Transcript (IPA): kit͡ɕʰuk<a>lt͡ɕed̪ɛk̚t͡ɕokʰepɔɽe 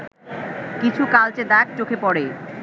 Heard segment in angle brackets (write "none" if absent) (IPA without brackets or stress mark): a